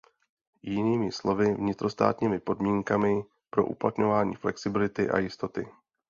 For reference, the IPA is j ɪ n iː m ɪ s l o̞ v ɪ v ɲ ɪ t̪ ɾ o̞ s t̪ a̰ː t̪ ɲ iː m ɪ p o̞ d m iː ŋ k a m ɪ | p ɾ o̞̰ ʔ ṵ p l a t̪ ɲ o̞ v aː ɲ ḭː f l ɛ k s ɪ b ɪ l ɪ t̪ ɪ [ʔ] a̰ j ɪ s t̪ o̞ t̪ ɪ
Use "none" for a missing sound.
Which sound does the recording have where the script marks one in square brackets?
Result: ʔ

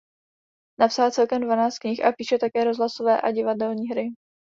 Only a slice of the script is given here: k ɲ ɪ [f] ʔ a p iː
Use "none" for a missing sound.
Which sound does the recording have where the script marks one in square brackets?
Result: x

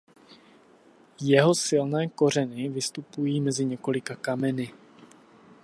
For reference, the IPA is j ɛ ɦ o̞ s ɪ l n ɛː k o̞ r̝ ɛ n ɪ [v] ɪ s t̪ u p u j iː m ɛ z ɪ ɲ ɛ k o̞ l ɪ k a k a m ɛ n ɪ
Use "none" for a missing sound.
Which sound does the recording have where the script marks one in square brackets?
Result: v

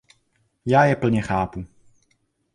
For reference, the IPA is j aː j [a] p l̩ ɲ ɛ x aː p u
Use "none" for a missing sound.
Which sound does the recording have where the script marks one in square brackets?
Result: ɛ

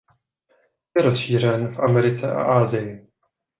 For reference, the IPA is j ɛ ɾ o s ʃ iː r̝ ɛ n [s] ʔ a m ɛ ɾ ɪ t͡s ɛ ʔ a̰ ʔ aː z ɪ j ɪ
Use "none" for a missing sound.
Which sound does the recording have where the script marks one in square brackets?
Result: f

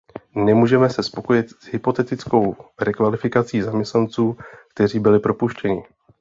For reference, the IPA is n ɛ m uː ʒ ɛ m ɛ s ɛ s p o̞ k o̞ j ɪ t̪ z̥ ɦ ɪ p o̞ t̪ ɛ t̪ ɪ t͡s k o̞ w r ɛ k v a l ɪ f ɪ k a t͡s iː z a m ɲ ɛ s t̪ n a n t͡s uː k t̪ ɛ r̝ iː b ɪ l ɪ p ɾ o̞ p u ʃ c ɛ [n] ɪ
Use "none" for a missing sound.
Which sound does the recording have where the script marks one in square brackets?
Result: ɲ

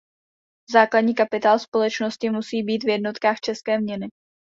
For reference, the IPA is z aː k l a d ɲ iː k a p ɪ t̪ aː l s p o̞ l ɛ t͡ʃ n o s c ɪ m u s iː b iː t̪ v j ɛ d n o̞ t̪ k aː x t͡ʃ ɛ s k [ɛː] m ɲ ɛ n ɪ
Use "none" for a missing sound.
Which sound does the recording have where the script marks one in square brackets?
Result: ɛː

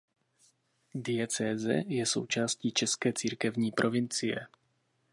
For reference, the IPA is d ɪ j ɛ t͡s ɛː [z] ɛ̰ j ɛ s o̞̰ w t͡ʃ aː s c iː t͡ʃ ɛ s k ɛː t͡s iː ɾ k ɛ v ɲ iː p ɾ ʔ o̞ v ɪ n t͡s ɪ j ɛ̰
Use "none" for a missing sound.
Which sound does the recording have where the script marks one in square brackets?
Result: z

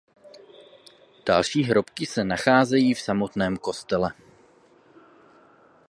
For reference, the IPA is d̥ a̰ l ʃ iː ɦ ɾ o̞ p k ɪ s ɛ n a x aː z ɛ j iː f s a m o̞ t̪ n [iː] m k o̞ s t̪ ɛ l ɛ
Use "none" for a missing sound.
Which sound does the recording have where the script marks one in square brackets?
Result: ɛː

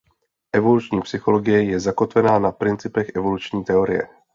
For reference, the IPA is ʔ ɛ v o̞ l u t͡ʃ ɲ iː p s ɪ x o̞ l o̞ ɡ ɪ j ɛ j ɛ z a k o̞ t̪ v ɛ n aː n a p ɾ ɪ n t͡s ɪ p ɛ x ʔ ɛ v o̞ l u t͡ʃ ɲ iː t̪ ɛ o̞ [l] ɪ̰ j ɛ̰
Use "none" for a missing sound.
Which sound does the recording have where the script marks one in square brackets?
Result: ɾ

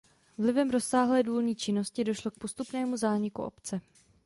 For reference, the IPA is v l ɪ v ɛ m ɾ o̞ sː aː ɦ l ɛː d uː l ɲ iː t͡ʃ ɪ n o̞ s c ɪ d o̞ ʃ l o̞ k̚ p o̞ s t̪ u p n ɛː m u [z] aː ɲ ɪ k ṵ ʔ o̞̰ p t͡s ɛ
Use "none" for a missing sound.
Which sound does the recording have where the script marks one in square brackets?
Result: z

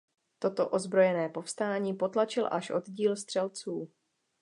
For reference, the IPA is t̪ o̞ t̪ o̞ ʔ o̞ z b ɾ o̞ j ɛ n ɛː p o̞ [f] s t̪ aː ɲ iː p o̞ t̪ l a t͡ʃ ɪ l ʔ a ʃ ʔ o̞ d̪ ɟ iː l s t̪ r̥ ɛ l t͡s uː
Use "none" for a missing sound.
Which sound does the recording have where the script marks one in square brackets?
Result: f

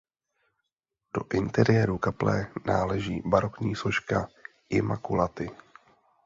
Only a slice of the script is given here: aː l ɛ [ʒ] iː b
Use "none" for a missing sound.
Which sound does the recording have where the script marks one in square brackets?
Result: ʒ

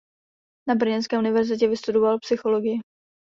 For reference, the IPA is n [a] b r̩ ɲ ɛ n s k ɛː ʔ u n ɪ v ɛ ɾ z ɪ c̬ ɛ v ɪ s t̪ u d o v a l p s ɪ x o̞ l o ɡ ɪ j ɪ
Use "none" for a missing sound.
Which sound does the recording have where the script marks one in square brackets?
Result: a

